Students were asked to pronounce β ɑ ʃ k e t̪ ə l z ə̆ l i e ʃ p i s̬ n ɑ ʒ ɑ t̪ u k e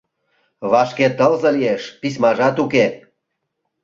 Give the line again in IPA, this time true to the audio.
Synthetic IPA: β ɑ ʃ k e t̪ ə l z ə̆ l i e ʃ p i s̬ m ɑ ʒ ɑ t̪ u k e